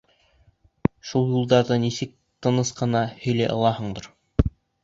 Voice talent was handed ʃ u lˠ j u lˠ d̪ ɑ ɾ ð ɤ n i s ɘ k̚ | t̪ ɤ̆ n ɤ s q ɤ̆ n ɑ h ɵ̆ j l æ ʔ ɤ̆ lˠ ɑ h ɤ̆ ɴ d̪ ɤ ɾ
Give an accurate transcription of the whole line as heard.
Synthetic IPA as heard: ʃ u lˠ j u lˠ d̪ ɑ ɾ ð ɤ n i s ɘ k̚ | t̪ ɤ̆ n ɤ s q ɤ̆ n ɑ h ɵ̆ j l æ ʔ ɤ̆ lˠ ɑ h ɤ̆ ɴ d̪ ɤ ɾ